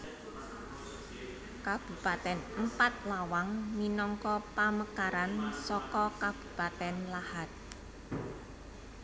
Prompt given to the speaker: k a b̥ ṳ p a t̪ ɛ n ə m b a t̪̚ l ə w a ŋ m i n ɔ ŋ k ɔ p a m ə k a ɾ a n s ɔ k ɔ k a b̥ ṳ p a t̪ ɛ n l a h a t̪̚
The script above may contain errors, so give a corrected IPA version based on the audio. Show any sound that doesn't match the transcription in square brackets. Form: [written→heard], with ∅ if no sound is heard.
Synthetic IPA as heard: k a b̥ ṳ p a t̪ ɛ n ə m [b→p] a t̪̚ l [ə→a] w a ŋ m i n ɔ ŋ k ɔ p a m ə k a ɾ a n s ɔ k ɔ k a b̥ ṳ p a t̪ ɛ n l a h a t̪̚